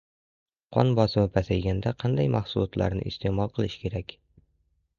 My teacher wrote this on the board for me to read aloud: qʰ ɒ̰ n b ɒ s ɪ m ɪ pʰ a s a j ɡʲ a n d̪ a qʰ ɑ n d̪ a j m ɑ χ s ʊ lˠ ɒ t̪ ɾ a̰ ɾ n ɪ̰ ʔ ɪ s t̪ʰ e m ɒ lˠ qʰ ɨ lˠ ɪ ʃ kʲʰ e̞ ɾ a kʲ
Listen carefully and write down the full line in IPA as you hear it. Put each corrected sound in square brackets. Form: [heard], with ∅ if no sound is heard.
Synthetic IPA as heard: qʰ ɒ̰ n b ɒ s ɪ m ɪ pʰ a s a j ɡʲ a n d̪ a qʰ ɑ n d̪ a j m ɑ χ s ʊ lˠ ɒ t̪ [l] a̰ ɾ n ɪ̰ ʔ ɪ s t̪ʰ e m ɒ lˠ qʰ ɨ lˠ ɪ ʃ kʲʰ e̞ ɾ a kʲ